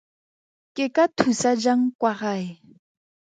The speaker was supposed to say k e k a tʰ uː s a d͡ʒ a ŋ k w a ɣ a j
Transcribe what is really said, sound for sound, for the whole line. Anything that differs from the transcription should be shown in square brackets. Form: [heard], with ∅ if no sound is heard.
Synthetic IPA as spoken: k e k a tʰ [u] s a d͡ʒ a ŋ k w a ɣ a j